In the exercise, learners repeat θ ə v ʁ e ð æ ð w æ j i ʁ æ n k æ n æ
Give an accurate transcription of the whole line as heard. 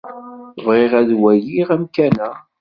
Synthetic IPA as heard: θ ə v ʁ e ʁ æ ð w æ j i ʁ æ m k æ n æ